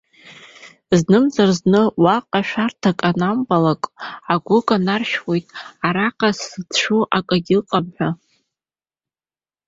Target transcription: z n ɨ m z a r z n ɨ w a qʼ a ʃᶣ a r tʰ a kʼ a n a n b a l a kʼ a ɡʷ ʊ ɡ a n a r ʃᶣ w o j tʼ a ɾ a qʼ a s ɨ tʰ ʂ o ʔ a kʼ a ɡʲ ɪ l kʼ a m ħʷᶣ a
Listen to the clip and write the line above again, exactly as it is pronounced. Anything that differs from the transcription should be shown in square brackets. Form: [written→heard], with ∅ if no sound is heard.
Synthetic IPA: z n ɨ m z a r z n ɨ w a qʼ a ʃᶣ a r tʰ a kʼ a n a [n→m] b a l a kʼ a ɡʷ ʊ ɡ a n a r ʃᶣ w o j tʼ a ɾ a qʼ a s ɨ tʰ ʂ [o→u] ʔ a kʼ a ɡʲ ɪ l [kʼ→qʼ] a m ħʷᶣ a